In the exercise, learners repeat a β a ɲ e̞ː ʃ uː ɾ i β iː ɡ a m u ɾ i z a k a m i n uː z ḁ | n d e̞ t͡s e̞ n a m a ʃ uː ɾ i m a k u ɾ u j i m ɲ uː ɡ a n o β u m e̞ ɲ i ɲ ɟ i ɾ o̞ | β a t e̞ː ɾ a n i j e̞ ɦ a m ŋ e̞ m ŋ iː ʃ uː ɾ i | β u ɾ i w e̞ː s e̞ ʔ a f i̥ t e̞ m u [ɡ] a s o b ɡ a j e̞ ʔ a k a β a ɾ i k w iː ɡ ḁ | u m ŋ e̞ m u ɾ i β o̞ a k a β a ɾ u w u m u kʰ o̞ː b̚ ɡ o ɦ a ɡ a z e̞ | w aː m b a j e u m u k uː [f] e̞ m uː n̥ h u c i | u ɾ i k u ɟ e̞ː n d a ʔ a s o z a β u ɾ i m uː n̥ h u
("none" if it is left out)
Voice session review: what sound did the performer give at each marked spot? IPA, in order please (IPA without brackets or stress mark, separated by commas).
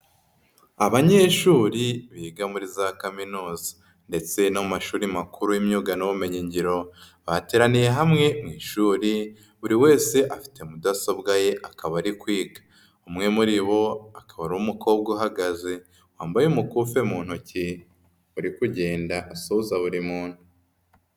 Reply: d, f